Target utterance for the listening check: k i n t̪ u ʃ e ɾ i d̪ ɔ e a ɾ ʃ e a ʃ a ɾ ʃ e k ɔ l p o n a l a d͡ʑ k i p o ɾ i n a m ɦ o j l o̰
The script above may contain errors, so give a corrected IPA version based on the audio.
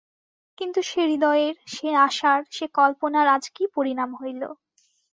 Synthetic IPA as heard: k i n t̪ u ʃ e ɾ i d̪ ɔ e e ɾ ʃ e a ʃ a ɾ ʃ e k ɔ l p o n a ɾ a d͡ʑ k i p o ɾ i n a m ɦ o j l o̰